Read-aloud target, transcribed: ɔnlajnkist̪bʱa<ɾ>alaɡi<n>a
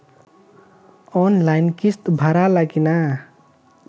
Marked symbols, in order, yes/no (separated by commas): yes, yes